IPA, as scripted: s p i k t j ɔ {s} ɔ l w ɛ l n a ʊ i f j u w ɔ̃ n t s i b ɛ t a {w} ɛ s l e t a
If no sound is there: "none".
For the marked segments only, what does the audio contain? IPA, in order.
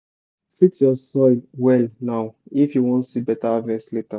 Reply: s, v

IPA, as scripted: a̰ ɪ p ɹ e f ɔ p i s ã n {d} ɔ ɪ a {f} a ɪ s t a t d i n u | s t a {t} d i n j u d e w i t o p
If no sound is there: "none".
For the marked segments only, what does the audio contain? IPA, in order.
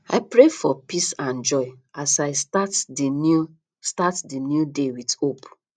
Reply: d͡ʒ, s, t

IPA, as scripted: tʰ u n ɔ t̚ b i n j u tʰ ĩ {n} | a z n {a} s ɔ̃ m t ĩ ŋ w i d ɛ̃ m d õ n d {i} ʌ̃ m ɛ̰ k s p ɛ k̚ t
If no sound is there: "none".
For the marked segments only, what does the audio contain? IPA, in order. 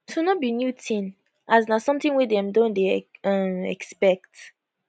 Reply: n, a, e

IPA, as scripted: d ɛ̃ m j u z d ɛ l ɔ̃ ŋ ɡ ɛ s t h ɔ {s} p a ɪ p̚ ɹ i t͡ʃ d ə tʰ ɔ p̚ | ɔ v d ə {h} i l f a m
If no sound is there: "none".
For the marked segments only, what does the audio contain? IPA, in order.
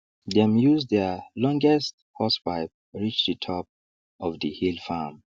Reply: s, h

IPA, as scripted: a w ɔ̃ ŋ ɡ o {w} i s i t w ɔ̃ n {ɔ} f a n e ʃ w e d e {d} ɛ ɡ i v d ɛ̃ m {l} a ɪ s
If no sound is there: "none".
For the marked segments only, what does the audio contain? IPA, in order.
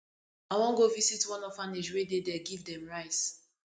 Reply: v, ɔ, d, ɹ

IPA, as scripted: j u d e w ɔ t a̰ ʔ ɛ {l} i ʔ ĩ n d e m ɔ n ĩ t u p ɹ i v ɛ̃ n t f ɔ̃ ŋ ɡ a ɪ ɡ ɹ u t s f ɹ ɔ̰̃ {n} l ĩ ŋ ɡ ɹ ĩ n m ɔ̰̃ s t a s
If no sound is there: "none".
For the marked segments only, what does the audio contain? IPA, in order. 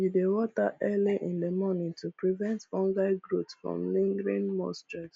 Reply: l, m

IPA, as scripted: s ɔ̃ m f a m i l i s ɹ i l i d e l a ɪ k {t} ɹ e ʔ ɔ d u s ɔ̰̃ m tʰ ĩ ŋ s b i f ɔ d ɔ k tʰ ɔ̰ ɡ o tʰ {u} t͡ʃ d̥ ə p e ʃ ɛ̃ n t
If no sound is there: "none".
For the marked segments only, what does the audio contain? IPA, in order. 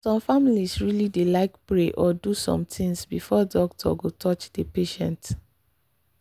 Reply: p, ɔ

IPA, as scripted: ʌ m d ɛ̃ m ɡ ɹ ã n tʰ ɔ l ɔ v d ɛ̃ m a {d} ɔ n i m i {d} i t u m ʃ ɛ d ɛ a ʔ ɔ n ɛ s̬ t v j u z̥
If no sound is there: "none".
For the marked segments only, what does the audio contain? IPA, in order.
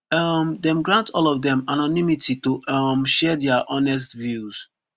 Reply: n, t

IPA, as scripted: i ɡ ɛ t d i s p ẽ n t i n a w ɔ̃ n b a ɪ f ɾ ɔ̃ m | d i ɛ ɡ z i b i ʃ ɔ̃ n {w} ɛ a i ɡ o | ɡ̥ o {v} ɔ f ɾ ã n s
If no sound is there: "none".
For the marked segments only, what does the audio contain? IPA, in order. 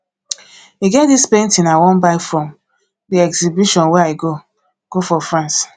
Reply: w, f

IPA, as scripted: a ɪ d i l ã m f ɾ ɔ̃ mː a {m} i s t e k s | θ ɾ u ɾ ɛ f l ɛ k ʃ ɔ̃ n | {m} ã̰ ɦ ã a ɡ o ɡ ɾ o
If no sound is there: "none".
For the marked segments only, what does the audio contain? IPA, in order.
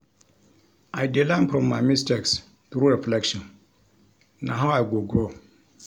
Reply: m, n

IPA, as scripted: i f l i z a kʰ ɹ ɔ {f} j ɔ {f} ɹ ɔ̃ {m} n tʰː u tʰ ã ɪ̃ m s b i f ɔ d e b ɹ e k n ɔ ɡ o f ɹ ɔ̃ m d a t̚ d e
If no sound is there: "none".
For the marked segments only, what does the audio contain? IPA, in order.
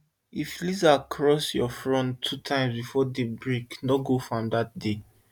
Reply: s, f, none

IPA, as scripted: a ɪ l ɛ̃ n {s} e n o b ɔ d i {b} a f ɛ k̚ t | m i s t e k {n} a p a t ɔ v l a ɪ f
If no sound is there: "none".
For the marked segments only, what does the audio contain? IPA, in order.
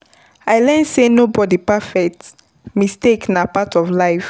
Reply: s, p, n

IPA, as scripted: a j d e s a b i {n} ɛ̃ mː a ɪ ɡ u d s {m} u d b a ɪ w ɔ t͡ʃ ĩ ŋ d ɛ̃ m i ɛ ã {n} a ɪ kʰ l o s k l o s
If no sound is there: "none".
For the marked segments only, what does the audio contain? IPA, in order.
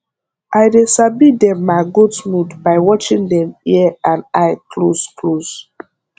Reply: d, m, n

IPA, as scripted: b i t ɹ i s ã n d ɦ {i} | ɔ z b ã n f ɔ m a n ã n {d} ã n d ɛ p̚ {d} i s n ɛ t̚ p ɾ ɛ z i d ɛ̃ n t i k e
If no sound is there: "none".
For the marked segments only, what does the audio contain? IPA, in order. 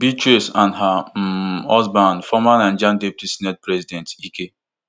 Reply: a, d͡ʒ, t

